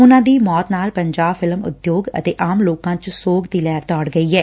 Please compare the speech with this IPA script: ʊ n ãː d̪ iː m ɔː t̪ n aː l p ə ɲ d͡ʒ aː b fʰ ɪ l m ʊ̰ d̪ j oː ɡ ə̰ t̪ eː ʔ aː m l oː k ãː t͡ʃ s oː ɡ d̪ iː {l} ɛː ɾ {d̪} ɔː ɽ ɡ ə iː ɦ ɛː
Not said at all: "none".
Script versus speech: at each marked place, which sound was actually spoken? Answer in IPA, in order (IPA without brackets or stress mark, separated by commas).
l, t̪